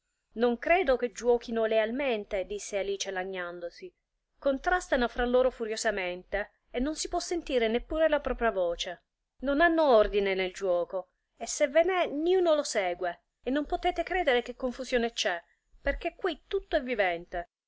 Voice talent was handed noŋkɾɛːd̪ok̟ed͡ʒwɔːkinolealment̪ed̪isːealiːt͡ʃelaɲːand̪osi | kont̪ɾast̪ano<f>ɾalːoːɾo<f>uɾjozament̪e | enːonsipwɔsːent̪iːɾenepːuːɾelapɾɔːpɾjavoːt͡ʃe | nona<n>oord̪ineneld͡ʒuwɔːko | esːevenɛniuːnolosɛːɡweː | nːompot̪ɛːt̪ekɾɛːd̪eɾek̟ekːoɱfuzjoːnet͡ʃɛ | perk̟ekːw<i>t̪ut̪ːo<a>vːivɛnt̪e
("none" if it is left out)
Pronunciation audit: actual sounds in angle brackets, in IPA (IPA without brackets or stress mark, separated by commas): f, f, nː, i, ɛ